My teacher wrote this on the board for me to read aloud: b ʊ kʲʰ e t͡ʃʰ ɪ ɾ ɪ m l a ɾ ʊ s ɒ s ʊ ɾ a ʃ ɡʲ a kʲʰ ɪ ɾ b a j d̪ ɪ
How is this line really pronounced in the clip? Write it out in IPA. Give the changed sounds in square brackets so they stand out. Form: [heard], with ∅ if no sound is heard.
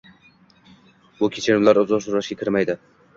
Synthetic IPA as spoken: b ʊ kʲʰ e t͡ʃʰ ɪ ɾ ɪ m l a ɾ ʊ [z] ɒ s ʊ ɾ a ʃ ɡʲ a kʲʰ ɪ ɾ [m] a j d̪ ɪ